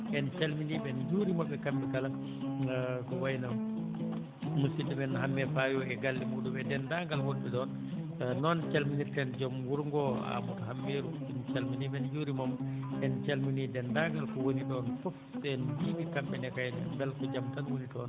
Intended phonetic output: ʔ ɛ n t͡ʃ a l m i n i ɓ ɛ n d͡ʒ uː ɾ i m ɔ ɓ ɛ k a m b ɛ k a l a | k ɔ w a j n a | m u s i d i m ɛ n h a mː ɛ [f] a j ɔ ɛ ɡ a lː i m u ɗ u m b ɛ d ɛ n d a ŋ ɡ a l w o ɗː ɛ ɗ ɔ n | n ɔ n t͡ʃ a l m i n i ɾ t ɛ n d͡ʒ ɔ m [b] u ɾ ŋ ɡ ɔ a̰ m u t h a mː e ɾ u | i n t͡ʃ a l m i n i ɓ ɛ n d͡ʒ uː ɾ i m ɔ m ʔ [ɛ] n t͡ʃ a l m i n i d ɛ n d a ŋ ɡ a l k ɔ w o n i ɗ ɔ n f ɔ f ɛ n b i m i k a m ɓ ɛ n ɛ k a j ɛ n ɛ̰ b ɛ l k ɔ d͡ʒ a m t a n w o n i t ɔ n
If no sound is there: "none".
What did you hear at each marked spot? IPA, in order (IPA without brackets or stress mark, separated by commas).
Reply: f, w, ɛ